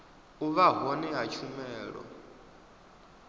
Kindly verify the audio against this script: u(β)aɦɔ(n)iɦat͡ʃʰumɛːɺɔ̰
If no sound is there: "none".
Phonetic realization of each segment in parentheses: β, n

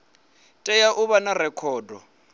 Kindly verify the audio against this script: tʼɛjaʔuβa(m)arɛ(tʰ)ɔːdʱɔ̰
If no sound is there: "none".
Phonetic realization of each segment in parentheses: n, kʰ

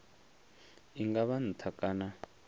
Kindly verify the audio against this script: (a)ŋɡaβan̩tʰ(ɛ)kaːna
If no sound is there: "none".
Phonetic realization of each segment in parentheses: i, a

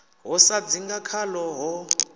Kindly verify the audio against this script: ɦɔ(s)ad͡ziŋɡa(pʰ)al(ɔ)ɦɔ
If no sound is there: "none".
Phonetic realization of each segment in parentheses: s, kʰ, ɔ

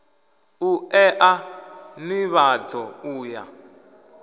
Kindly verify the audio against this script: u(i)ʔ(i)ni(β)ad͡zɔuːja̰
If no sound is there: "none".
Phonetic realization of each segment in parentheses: ɛ, a, β

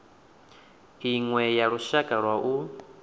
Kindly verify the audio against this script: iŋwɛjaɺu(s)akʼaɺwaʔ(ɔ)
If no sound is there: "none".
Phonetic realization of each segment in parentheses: ʃ, u

